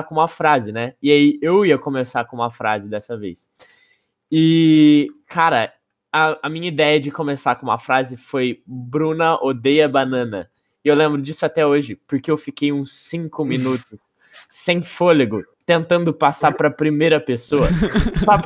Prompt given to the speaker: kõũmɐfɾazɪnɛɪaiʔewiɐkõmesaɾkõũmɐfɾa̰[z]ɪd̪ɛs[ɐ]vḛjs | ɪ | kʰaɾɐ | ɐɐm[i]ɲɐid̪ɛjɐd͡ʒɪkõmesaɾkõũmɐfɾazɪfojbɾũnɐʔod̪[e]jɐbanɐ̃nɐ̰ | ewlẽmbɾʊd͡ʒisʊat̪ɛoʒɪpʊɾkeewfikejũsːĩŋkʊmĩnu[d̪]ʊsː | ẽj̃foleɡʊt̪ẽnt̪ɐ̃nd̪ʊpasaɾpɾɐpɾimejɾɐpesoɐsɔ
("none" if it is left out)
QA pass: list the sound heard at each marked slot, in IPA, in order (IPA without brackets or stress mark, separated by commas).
z, ɐ, ĩ, e, t̪